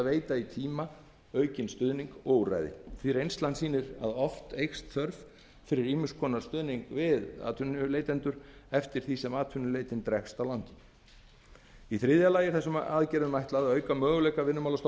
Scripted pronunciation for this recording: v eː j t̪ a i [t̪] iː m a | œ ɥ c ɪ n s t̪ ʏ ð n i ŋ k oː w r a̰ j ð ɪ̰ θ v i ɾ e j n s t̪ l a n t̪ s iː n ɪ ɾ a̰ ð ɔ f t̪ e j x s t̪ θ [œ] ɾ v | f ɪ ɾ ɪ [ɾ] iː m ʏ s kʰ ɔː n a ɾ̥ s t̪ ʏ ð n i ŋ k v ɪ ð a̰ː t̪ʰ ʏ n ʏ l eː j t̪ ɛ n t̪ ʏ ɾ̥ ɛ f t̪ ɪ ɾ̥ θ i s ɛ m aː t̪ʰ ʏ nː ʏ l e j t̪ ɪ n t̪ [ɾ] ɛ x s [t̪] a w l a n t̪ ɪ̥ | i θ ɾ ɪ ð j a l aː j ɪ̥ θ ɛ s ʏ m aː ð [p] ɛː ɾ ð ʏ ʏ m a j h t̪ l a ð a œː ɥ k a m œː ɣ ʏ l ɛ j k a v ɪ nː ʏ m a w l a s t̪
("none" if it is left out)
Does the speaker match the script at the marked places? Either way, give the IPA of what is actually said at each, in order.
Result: t̪ʰ, œ, ɾ, ɾ, t̪, c

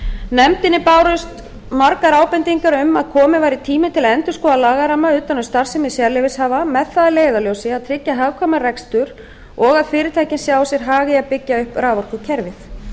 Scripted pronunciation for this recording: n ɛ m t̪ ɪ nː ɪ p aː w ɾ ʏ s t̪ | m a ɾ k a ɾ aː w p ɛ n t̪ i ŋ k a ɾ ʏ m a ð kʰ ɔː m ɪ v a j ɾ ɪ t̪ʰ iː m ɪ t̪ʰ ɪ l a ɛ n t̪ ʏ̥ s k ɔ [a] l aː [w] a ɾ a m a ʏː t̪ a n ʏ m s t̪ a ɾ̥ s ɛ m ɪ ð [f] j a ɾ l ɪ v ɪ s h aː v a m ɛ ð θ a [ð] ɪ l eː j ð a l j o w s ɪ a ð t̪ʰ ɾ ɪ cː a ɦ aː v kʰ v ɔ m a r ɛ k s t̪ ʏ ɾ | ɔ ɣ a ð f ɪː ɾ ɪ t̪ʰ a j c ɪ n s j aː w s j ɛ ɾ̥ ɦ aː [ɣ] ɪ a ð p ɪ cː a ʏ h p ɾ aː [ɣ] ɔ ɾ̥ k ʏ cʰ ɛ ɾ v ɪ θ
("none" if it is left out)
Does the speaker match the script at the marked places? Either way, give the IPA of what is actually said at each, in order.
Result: a, ɣ, s, ð, ɣ, v

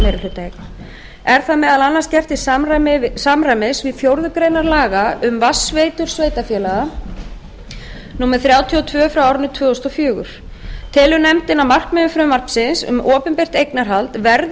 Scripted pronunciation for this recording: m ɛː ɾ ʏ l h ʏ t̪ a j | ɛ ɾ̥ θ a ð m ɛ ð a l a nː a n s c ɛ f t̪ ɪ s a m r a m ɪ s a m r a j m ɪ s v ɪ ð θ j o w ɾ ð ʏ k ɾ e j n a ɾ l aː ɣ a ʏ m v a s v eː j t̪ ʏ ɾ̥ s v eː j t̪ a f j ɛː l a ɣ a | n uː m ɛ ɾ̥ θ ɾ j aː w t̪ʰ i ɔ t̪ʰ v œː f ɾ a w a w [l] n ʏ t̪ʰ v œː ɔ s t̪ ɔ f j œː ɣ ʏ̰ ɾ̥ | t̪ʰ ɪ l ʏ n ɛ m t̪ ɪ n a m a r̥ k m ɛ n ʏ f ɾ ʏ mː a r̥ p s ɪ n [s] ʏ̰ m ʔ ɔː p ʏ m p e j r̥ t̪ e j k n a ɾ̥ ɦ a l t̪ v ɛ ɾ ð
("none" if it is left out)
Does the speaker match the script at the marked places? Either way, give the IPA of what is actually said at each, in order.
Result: ɾ, s

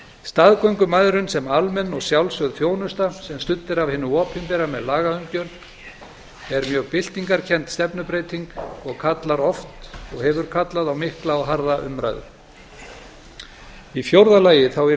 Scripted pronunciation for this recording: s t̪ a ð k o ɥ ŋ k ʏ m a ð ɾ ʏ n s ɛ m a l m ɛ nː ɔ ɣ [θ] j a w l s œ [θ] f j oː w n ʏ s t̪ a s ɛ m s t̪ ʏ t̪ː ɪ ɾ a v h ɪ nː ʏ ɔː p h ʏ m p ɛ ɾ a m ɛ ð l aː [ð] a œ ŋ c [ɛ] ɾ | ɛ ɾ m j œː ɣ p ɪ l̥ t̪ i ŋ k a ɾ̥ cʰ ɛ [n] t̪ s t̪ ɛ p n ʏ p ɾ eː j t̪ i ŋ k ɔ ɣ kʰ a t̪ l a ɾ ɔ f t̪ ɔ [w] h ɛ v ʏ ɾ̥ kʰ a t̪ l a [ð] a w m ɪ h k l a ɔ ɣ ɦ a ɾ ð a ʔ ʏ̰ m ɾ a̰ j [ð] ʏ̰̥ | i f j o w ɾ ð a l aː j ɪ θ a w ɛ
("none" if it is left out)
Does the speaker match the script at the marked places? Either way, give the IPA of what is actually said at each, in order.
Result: s, ð, ɣ, œ, n, ɣ, ð, ð

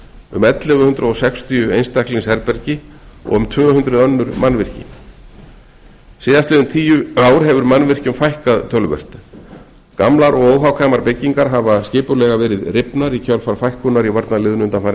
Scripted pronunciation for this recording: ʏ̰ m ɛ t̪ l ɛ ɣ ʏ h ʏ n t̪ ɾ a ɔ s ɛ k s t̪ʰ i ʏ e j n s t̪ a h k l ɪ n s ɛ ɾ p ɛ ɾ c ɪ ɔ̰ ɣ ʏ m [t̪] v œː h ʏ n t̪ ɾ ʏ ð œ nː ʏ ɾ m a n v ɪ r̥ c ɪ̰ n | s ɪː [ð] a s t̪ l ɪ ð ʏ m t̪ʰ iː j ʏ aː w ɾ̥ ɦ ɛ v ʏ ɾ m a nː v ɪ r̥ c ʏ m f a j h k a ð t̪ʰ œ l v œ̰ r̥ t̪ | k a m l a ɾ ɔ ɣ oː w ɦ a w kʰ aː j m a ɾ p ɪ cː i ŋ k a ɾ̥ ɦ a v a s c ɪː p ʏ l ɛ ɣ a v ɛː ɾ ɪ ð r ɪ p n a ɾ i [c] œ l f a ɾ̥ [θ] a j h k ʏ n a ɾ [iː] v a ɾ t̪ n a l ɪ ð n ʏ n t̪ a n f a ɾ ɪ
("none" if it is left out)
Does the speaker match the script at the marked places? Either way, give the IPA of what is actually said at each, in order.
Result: t̪ʰ, ð, cʰ, f, i

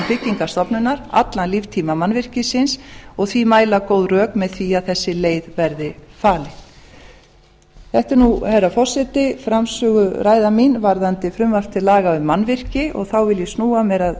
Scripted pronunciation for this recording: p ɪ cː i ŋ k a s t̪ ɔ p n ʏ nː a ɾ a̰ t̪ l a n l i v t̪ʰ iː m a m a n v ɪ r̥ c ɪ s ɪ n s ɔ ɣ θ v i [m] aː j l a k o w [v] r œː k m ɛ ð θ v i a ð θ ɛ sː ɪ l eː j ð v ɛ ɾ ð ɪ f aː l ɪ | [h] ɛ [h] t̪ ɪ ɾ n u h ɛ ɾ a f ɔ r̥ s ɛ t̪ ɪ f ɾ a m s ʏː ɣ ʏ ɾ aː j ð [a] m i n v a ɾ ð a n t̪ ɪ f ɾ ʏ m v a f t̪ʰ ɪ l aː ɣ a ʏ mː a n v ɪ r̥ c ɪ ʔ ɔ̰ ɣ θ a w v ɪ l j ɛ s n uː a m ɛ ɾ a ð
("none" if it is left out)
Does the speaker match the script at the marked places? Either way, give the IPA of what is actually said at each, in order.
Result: m, ð, θ, h, a

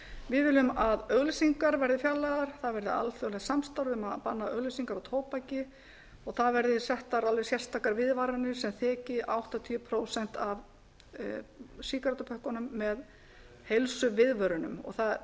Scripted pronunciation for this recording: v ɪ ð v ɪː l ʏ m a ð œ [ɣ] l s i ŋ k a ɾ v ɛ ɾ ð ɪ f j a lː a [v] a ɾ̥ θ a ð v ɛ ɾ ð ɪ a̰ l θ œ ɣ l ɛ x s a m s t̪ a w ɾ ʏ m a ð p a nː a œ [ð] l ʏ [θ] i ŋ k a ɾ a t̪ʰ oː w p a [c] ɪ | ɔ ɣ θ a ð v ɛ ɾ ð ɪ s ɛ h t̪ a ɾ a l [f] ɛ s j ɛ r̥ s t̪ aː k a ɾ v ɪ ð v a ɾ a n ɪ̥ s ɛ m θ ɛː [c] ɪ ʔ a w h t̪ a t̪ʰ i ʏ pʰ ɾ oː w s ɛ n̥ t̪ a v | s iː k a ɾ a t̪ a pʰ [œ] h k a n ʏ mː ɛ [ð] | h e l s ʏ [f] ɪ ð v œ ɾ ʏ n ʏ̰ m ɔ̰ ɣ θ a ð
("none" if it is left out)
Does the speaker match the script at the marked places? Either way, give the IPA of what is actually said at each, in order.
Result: ɣ, ð, ɣ, s, c, v, c, œ, ð, v

